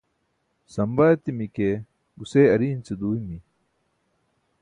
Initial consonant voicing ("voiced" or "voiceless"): voiceless